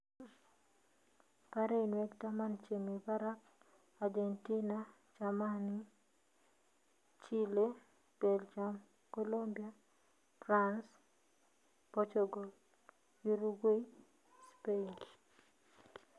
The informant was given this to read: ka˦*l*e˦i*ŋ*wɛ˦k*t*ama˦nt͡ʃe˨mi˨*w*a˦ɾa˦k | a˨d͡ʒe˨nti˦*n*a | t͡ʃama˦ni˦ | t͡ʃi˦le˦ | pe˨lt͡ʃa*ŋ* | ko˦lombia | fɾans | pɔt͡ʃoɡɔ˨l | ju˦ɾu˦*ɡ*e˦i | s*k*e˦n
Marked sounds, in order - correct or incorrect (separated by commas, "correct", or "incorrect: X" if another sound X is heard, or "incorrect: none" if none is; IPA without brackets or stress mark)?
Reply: incorrect: ɾ, incorrect: n, correct, incorrect: b, correct, incorrect: m, correct, incorrect: p